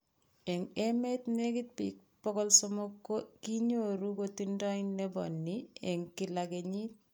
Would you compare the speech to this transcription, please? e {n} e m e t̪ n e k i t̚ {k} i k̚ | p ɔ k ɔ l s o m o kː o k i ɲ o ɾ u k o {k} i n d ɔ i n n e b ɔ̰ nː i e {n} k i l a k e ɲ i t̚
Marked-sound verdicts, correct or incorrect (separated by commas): incorrect, incorrect, incorrect, incorrect